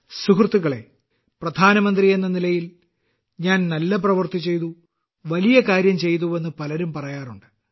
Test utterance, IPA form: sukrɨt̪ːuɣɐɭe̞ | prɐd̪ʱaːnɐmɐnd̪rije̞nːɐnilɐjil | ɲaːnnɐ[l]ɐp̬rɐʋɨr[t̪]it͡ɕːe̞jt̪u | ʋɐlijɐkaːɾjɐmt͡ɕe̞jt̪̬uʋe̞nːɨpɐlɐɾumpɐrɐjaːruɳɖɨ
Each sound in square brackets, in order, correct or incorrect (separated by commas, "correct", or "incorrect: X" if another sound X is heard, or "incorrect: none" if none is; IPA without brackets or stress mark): incorrect: lː, correct